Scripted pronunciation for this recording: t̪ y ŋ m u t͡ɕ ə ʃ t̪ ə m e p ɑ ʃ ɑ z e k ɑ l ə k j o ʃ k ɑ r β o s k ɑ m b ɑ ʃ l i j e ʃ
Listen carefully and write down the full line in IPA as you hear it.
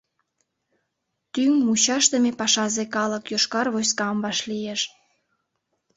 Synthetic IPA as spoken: t̪ y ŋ m u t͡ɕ ɑ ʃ t̪ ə m e p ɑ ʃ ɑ z e k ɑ l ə k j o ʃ k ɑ r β o s k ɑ m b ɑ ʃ l i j e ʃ